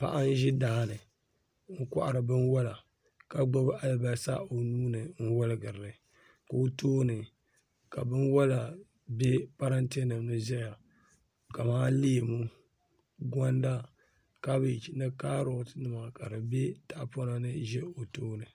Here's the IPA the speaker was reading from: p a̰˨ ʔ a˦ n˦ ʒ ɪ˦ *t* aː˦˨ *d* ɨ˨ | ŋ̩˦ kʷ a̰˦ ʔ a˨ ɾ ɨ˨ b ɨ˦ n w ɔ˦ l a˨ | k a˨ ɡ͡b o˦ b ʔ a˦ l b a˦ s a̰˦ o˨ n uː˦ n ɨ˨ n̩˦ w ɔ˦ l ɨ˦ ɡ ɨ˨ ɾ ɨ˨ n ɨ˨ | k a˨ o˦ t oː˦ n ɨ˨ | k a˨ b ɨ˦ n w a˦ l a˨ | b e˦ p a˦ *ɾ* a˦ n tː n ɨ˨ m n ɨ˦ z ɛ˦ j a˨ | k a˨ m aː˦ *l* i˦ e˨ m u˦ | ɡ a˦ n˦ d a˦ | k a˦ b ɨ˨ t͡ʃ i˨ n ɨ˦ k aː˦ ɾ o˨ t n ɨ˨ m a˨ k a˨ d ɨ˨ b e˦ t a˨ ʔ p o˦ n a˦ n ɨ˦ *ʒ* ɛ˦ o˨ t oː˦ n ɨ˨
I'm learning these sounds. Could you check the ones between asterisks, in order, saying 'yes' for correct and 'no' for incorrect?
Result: no, no, yes, yes, yes

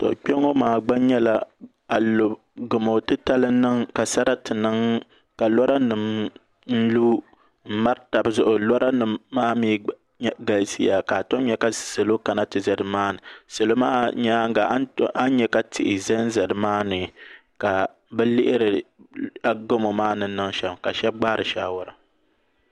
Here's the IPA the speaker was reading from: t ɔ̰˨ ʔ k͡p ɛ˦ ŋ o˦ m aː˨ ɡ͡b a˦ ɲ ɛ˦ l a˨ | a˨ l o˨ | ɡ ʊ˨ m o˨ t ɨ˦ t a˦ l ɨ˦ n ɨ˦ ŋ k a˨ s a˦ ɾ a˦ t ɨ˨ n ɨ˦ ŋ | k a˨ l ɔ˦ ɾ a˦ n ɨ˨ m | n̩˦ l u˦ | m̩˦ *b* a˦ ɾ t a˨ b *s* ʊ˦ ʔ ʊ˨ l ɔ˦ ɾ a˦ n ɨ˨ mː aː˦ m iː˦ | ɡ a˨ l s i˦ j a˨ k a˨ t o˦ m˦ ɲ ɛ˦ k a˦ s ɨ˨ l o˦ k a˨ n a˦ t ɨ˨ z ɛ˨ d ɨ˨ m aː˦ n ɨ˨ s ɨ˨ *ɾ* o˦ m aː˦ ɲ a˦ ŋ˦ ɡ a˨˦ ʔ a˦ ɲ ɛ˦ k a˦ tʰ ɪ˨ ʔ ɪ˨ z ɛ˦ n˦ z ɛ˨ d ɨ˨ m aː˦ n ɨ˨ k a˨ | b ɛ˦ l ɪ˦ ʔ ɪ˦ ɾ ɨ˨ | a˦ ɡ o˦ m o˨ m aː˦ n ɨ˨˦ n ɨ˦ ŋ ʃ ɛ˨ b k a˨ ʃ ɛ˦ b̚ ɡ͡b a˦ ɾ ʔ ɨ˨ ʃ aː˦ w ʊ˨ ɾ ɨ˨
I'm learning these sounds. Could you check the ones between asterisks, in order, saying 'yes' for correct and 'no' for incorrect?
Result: no, no, no

